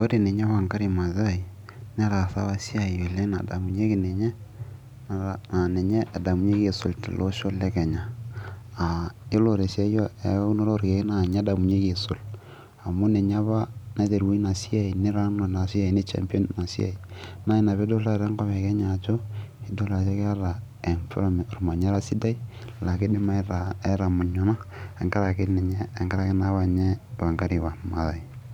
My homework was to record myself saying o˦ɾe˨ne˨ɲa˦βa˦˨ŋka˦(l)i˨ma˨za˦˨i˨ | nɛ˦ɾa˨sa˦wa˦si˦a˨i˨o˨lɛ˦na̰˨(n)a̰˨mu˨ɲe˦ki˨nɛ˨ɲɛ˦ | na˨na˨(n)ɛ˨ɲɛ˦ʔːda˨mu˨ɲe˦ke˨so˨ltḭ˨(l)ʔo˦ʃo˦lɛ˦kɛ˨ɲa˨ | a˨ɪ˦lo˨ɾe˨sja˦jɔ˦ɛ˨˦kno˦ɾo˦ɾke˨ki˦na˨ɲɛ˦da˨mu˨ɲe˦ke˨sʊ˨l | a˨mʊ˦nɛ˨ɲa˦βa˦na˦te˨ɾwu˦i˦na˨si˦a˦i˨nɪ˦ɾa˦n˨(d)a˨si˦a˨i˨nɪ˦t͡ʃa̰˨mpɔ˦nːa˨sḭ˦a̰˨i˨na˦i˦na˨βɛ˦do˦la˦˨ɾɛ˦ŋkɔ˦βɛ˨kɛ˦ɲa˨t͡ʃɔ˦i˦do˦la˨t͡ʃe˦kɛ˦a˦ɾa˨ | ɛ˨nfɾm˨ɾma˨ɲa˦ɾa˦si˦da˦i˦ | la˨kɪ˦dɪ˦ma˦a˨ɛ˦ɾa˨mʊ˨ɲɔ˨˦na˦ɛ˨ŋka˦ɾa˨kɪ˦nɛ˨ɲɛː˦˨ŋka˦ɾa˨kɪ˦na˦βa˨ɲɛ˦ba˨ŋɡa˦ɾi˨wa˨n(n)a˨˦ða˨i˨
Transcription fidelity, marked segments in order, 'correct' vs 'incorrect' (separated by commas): incorrect, incorrect, correct, correct, incorrect, incorrect